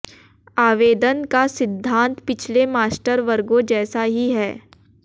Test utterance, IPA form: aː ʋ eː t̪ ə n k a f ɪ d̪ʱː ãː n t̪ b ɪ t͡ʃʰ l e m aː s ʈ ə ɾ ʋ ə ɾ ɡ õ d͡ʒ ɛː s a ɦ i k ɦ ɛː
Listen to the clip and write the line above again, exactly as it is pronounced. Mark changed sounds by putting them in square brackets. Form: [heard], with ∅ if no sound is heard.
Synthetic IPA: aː ʋ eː [d̪] ə n k a [s] ɪ d̪ʱː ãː n t̪ [p] ɪ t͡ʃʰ l e m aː s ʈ ə ɾ ʋ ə ɾ ɡ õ d͡ʒ ɛː s a ɦ i [∅] ɦ ɛː